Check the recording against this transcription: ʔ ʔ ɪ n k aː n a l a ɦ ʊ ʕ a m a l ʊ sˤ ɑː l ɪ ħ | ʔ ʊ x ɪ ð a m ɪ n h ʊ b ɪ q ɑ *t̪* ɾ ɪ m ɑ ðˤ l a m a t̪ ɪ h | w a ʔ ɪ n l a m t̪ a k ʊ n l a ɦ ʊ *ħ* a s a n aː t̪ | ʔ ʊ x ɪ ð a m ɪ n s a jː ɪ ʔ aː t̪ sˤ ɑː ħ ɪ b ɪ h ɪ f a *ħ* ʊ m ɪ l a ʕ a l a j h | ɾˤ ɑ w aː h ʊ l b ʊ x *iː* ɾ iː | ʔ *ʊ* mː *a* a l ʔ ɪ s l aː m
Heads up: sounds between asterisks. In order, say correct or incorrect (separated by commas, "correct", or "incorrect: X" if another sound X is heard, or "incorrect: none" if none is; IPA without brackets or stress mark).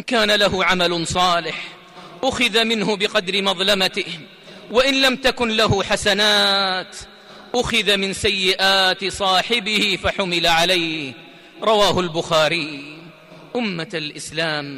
incorrect: d̪, correct, correct, incorrect: aː, correct, correct